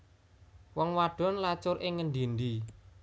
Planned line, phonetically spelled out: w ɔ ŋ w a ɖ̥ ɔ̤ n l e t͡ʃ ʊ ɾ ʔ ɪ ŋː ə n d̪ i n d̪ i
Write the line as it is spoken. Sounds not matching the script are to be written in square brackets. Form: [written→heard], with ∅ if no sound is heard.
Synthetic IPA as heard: w ɔ ŋ w a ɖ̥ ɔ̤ n l [e→a] t͡ʃ ʊ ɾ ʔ ɪ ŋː ə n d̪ i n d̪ i